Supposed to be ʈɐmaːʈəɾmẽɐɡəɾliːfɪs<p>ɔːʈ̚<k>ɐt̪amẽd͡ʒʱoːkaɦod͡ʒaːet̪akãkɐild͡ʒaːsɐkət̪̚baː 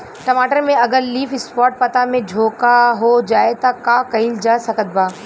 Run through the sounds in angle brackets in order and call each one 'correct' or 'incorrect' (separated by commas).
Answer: correct, incorrect